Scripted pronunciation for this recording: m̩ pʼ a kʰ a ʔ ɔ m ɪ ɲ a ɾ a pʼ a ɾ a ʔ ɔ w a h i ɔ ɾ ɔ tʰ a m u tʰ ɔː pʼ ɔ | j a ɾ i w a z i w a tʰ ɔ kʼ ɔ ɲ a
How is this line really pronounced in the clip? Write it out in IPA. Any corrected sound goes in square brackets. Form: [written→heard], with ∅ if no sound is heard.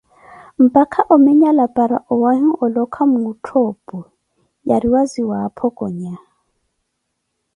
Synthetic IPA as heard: m̩ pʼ a kʰ a ʔ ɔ m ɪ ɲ a [ɾ→l] a pʼ a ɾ a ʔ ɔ w a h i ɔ [ɾ→l] ɔ [tʰ→kʰ] a m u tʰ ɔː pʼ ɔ | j a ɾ i w a z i w a [tʰ→pʰ] ɔ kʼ ɔ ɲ a